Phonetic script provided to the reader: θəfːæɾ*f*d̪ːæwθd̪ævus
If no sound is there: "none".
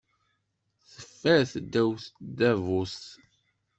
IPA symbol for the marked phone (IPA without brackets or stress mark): θ